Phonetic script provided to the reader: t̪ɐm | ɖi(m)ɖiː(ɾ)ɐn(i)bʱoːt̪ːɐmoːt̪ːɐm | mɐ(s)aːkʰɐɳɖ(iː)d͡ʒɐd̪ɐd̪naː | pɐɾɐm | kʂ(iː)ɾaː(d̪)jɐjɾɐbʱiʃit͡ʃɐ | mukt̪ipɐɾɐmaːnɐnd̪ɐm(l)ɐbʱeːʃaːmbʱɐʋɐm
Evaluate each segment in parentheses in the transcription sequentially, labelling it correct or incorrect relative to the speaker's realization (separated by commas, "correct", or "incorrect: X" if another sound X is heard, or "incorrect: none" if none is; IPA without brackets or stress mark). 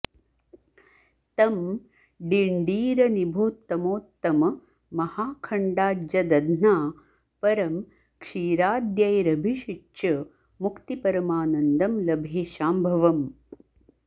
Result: incorrect: ɳ, correct, correct, incorrect: h, incorrect: aː, correct, correct, correct